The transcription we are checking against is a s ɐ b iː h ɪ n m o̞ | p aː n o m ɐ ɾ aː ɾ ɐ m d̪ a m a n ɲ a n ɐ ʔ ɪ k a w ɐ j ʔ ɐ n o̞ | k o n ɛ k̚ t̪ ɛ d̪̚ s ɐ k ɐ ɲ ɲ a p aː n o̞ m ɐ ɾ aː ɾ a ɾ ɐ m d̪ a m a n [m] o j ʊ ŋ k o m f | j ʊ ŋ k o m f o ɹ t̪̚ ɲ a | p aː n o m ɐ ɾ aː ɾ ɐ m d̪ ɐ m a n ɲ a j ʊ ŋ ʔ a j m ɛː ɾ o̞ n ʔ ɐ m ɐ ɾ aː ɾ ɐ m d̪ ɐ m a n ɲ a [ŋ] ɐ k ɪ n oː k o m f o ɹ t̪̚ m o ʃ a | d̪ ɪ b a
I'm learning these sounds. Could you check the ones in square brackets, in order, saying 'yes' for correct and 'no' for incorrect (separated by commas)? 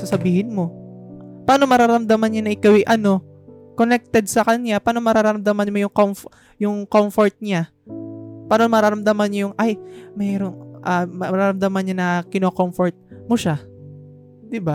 yes, no